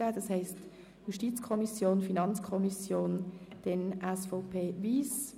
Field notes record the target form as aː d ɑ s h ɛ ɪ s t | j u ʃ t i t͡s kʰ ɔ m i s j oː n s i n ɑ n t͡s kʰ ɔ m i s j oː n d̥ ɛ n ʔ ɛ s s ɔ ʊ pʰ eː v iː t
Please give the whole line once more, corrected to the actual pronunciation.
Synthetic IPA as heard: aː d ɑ s h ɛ ɪ s t | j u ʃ t i t͡s kʰ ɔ m i s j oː n f i n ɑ n t͡s kʰ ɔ m i s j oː n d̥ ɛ n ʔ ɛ s f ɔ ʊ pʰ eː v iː s